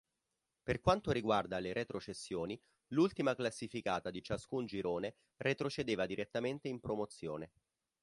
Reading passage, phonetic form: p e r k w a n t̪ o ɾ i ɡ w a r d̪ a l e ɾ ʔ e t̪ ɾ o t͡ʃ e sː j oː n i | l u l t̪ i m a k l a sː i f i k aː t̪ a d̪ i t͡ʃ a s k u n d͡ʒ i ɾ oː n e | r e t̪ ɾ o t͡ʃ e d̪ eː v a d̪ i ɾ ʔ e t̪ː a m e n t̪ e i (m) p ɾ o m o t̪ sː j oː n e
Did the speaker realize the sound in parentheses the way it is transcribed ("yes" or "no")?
yes